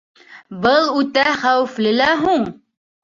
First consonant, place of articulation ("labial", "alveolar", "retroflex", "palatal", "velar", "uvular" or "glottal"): labial